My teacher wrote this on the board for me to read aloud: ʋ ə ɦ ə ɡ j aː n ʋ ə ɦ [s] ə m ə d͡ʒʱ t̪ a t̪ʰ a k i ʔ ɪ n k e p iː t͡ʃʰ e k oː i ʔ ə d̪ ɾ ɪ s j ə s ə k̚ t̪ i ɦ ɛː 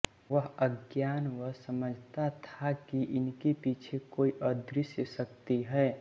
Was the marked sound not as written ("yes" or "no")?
no